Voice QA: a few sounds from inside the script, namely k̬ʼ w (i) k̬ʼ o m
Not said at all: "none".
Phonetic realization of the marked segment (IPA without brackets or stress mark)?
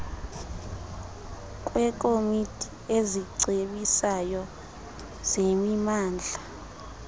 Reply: ɛ